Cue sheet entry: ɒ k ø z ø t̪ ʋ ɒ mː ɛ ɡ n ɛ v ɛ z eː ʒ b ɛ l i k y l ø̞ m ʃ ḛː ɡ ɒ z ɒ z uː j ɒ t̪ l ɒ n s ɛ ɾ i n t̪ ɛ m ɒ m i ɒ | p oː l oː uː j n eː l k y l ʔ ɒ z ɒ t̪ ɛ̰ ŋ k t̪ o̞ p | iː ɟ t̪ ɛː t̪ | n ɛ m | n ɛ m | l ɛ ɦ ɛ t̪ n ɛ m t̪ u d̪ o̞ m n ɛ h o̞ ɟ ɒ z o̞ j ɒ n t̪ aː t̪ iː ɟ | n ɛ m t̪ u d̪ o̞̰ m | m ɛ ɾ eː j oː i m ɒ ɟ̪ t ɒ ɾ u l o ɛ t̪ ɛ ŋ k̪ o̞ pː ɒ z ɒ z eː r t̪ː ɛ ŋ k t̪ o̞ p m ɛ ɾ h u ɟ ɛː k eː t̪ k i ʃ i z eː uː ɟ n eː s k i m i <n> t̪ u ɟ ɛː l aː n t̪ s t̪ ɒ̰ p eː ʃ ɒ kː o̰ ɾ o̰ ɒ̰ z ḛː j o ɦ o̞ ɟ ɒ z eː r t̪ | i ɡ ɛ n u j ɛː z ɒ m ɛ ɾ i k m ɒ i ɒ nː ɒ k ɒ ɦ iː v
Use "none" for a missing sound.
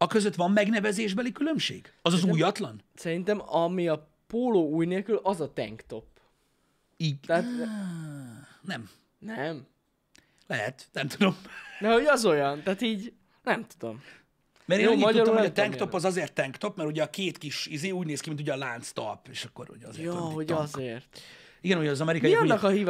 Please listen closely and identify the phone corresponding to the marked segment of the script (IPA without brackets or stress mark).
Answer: n